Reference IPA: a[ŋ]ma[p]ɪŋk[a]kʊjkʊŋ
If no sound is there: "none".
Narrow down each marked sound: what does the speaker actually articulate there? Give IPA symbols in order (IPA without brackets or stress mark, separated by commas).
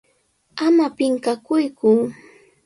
none, p, a